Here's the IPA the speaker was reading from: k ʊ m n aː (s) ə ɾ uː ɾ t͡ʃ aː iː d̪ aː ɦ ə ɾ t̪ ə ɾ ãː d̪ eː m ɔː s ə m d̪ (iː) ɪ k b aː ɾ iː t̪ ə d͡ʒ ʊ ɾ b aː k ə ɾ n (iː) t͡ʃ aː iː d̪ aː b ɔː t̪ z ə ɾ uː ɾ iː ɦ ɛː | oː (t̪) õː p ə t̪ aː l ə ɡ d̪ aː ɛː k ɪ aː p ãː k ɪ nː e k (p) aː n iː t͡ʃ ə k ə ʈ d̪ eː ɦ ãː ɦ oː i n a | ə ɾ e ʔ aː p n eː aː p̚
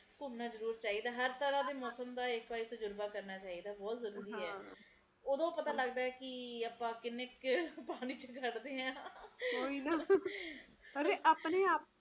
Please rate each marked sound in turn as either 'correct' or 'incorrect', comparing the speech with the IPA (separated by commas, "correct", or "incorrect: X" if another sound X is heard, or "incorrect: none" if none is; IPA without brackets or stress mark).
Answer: incorrect: z, incorrect: aː, incorrect: aː, incorrect: d̪, correct